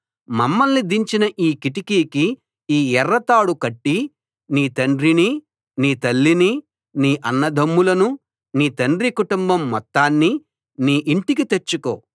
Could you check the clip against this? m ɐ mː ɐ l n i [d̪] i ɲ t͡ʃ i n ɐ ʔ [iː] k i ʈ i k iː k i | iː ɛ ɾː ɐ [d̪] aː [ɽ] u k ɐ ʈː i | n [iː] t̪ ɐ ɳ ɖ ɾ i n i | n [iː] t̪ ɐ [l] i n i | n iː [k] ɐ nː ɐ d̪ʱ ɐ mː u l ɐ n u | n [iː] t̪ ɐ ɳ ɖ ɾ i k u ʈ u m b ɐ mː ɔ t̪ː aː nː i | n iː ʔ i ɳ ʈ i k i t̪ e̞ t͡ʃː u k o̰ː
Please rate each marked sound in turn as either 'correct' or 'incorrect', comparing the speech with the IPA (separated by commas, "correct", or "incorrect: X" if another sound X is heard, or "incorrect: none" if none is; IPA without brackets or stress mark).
correct, correct, incorrect: t̪, correct, correct, correct, incorrect: lː, incorrect: ʔ, correct